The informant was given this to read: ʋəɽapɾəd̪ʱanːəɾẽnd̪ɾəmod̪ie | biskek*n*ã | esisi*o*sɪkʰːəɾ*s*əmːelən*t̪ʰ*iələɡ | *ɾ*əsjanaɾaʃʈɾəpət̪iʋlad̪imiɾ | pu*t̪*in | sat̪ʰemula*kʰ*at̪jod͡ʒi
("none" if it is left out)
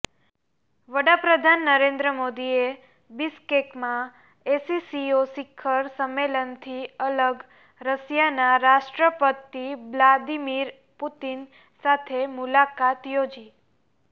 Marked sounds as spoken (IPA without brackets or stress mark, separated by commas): m, o, s, t̪ʰ, ɾ, t̪, k